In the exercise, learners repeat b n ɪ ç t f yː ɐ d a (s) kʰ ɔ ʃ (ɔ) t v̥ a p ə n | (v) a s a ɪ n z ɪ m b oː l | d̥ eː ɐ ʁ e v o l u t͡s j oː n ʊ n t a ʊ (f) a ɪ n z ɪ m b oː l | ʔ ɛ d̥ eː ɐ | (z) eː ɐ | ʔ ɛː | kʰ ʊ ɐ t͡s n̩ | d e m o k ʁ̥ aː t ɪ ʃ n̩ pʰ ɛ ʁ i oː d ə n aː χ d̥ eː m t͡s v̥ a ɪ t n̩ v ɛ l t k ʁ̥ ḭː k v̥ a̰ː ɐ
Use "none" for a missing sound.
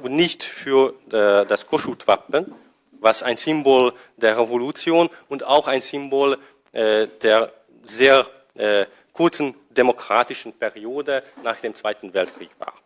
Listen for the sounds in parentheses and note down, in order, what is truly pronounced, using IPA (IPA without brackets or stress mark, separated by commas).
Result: s, u, v, x, z